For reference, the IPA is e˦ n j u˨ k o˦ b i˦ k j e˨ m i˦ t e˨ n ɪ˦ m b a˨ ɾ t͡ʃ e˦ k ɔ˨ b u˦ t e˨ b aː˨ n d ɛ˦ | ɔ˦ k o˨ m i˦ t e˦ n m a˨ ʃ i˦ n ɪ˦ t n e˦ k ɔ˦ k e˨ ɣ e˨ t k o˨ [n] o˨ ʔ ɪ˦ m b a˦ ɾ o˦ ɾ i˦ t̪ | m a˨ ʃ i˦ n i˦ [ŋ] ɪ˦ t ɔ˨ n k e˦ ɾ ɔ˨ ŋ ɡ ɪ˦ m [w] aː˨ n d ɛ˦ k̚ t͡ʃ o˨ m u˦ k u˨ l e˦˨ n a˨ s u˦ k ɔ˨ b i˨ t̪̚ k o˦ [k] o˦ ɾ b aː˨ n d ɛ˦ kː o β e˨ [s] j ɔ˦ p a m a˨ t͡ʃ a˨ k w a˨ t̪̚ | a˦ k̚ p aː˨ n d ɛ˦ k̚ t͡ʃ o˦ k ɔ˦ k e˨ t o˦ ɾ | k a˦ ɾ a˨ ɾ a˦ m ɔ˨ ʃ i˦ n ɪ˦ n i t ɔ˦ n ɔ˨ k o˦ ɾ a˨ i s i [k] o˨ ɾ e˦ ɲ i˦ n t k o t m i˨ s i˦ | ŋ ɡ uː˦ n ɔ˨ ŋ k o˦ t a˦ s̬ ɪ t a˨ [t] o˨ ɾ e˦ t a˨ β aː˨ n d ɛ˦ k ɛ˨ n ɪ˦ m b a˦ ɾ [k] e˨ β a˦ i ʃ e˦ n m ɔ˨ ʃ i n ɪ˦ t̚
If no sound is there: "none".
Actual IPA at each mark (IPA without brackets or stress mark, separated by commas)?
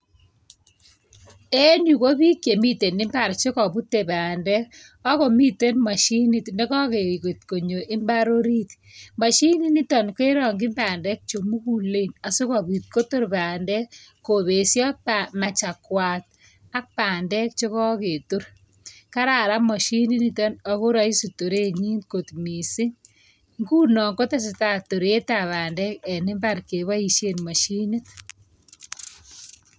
ɲ, n, b, t, s, t, t, k